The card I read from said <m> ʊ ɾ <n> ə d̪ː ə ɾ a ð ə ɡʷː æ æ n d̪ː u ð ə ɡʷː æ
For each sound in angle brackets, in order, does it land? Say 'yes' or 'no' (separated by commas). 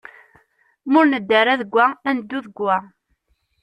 yes, yes